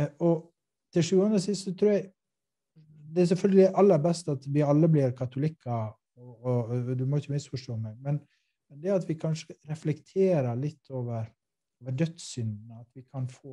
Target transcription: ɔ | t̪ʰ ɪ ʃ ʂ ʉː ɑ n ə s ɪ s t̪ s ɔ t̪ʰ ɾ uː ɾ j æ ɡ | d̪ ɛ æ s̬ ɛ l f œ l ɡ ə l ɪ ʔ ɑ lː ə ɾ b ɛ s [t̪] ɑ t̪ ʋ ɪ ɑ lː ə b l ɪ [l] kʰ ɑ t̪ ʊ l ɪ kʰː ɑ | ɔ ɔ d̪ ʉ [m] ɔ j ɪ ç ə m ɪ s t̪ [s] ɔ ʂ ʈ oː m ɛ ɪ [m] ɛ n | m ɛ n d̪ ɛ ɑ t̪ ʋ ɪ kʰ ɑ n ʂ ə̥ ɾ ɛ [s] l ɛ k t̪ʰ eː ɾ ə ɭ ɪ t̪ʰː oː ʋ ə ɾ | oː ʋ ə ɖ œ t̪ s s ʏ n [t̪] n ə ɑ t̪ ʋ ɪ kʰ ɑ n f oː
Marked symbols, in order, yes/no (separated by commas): yes, no, yes, no, yes, no, no